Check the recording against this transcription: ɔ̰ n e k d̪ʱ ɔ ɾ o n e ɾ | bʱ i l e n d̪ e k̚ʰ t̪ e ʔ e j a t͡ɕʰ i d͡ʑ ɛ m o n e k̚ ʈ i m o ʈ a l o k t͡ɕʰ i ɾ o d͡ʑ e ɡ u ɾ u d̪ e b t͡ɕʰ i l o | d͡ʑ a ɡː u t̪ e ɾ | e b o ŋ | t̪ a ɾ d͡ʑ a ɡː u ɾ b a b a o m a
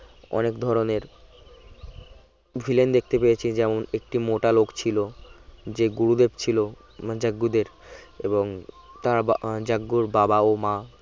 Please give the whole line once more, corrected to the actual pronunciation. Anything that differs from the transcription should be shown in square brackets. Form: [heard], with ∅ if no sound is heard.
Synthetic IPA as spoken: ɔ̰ n e k d̪ʱ ɔ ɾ o n e ɾ | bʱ i l e n d̪ e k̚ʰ t̪ e [p] e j [e] t͡ɕʰ i d͡ʑ ɛ m o n e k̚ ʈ i m o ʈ a l o k t͡ɕʰ i [l] o d͡ʑ e ɡ u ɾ u d̪ e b t͡ɕʰ i l o | d͡ʑ a ɡː u [d̪] e ɾ | e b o ŋ | t̪ a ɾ d͡ʑ a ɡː u ɾ b a b a o m a

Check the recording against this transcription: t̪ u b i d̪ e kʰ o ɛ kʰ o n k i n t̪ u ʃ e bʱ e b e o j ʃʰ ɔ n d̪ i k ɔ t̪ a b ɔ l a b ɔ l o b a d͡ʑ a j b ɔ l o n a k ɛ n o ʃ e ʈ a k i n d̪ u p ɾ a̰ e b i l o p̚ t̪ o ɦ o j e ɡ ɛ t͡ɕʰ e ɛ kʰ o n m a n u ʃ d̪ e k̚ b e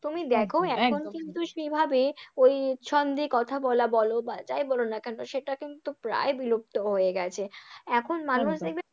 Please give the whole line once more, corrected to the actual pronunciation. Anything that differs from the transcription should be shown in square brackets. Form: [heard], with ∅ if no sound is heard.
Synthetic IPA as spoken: t̪ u [m] i d̪ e kʰ o ɛ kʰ o n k i n t̪ u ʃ e bʱ [a] b e o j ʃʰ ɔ n d̪ i k ɔ [t̪ʰ] a b ɔ l a b ɔ l o b a d͡ʑ a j b ɔ l o n a k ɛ n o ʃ e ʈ a k i n [t̪] u p ɾ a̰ e b i l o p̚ t̪ o ɦ o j e ɡ ɛ t͡ɕʰ e ɛ kʰ o n m a n u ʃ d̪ e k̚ b e

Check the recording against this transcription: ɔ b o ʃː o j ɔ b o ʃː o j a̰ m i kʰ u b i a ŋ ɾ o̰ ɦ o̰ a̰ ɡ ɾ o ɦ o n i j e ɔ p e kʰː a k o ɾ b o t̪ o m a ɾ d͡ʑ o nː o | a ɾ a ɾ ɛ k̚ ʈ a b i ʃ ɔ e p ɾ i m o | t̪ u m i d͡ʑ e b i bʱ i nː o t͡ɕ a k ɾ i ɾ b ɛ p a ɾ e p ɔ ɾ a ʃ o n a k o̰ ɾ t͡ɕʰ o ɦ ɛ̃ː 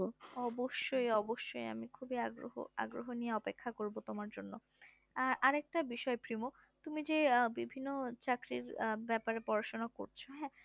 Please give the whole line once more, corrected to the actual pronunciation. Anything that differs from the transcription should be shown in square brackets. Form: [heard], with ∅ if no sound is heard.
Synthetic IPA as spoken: ɔ b o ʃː o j ɔ b o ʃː o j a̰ m i kʰ u b i a [ɡ] ɾ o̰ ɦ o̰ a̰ ɡ ɾ o ɦ o n i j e ɔ p e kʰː a k o ɾ b o t̪ o m a ɾ d͡ʑ o nː o | a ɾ a ɾ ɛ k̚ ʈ a b i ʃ ɔ e p ɾ i m o | t̪ u m i d͡ʑ e b i bʱ i nː o t͡ɕ a k ɾ i ɾ b ɛ p a ɾ e p ɔ ɾ a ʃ o n a k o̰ ɾ t͡ɕʰ o ɦ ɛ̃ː

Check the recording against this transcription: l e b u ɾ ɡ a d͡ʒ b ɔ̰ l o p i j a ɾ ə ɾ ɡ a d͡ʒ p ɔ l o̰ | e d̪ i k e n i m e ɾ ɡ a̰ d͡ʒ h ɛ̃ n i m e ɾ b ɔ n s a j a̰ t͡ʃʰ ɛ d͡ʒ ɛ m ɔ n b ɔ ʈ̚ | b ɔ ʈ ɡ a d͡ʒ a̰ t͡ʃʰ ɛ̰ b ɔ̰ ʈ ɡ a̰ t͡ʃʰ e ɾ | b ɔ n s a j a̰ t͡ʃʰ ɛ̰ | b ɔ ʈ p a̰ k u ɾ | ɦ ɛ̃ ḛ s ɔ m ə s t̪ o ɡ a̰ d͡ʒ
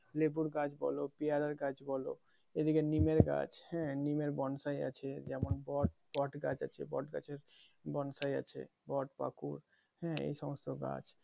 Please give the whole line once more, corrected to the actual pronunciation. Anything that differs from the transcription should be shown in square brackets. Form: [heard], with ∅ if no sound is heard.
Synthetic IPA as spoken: l e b u ɾ ɡ a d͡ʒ b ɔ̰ l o p i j a ɾ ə ɾ ɡ a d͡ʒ [b] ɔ l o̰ | e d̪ i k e n i m e ɾ ɡ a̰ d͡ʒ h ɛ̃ n i m e ɾ b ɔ n s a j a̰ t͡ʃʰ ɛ d͡ʒ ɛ m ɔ n b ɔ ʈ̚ | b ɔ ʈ ɡ a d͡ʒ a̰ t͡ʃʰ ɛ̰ b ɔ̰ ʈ ɡ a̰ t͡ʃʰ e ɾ | b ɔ n s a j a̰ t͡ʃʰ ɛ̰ | b ɔ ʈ p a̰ k u ɾ | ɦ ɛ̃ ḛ s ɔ m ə s t̪ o ɡ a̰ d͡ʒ

